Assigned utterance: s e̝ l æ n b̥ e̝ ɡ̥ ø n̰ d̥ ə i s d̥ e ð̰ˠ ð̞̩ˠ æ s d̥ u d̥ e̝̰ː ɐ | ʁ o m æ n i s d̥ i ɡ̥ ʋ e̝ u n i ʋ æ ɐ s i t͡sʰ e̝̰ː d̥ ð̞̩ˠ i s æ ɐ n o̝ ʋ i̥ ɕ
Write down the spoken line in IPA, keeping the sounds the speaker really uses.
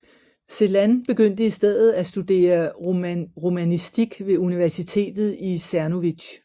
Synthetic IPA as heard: s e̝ l æ n b̥ e̝ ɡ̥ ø n̰ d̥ ə i s d̥ e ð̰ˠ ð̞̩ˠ æ s d̥ u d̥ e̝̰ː ɐ | ʁ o m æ n i s d̥ i ɡ̥ ʋ e̝ u n i ʋ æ ɐ s i t͡sʰ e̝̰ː d̥ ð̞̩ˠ i s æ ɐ n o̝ ʋ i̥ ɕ